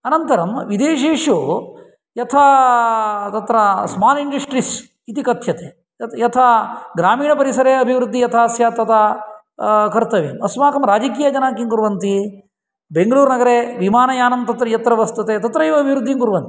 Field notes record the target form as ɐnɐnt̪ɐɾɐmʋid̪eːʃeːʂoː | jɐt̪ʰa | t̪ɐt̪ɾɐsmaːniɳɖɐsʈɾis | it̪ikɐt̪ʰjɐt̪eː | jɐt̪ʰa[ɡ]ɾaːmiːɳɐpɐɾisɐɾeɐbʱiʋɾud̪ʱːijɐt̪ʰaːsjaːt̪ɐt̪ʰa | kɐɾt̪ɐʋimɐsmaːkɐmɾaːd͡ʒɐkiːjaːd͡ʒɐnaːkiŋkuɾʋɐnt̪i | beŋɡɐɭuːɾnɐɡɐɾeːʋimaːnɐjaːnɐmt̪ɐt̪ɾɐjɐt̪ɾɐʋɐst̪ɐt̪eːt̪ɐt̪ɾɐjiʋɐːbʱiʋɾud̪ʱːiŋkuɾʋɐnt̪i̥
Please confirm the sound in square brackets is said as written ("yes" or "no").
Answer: yes